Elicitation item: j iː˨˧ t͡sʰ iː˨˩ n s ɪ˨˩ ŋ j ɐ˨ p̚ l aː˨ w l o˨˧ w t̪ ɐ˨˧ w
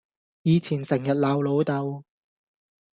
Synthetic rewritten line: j iː˨˧ t͡sʰ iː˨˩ n s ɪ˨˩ ŋ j ɐ˨ t̚ l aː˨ w l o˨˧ w t̪ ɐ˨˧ w